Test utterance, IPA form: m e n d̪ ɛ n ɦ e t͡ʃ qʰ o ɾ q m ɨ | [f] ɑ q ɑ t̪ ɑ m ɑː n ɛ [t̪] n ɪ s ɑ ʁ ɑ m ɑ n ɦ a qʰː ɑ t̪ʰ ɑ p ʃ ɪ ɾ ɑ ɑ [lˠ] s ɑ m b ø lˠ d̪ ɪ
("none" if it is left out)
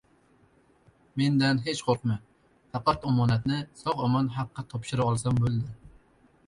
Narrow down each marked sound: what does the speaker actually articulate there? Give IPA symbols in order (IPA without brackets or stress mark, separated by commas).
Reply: f, t̪, lˠ